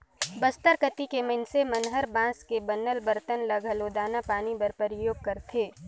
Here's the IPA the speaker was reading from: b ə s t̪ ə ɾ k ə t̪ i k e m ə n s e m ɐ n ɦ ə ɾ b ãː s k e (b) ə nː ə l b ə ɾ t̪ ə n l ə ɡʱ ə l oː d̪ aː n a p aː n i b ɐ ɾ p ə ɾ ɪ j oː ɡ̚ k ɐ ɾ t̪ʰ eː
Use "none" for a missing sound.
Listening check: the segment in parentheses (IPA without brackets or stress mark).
b